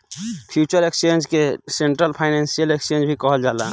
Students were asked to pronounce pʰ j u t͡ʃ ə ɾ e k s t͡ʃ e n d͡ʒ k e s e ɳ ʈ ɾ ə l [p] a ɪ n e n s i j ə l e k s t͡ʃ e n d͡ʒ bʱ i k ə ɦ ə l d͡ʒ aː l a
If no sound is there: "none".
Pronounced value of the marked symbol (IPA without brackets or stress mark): pʰ